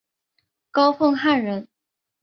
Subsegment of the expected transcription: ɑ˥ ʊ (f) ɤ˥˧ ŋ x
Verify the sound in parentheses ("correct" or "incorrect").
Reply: correct